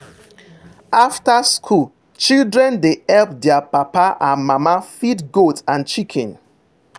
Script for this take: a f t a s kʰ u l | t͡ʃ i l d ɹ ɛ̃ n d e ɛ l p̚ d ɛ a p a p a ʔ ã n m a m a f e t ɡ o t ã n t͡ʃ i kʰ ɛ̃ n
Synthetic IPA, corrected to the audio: a f t a s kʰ u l | t͡ʃ i l d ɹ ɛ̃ n d e ɛ l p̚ d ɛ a p a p a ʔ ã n m a m a f i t ɡ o t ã n t͡ʃ i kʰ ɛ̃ n